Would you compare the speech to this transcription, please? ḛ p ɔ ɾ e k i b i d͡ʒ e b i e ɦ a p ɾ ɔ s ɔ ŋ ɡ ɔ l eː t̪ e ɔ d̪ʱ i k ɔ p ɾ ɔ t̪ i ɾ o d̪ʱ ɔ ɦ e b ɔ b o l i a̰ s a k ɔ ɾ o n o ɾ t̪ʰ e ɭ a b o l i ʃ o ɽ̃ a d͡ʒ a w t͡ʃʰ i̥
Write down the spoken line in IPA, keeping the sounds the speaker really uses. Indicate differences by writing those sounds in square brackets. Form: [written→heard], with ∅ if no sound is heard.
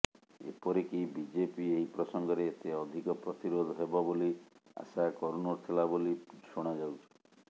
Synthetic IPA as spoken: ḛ p ɔ ɾ e k i b i d͡ʒ e [b→p] i e ɦ [a→i] p ɾ ɔ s ɔ ŋ ɡ ɔ [l→ɾ] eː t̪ e ɔ d̪ʱ i k ɔ p ɾ ɔ t̪ i ɾ o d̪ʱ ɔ ɦ e b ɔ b o l i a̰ s a k ɔ ɾ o n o ɾ t̪ʰ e [ɭ→l] a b o l i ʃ o ɽ̃ a d͡ʒ a w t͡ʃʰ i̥